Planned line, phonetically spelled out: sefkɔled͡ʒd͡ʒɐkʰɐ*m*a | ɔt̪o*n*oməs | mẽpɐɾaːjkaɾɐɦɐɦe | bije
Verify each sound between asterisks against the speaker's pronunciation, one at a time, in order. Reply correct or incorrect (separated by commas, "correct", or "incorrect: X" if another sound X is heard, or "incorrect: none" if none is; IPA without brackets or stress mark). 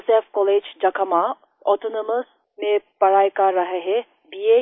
correct, correct